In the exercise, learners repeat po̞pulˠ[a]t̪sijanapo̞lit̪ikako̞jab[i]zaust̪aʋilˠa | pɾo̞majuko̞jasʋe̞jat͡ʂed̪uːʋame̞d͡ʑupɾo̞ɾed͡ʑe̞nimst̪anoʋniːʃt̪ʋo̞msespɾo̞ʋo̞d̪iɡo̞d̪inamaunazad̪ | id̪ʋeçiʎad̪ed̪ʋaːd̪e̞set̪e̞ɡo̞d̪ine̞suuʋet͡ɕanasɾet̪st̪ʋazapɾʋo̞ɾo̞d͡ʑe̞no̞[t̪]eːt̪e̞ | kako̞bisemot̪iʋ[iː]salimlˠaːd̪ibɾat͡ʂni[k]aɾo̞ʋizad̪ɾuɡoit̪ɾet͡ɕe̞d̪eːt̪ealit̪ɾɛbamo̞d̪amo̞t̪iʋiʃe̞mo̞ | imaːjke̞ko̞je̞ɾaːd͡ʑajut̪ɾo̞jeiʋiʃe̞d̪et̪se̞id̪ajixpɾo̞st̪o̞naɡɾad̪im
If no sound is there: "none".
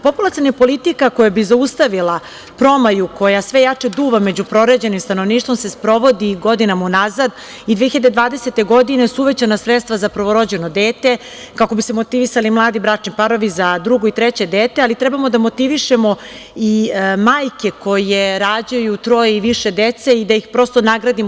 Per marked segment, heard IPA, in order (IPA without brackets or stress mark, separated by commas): a, i, d̪, i, p